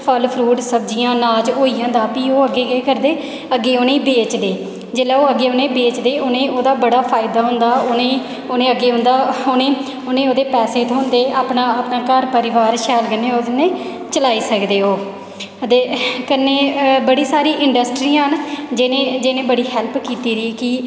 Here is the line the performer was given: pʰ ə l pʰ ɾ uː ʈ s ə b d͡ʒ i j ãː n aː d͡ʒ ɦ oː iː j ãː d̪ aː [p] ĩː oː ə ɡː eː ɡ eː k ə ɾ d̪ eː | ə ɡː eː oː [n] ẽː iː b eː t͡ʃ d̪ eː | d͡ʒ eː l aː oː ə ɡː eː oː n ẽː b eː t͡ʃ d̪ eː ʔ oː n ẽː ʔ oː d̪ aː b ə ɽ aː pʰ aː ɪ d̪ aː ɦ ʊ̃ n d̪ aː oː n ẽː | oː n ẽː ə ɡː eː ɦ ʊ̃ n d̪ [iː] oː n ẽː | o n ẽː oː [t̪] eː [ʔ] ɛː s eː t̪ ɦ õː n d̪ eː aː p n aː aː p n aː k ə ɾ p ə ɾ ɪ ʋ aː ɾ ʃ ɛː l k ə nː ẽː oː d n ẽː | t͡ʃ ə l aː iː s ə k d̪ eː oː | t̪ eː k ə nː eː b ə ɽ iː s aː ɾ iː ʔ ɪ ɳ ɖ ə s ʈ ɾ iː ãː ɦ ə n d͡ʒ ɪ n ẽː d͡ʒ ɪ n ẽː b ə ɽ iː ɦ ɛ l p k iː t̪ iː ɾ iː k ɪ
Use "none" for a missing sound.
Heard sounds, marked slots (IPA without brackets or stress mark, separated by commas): p, n, aː, d̪, p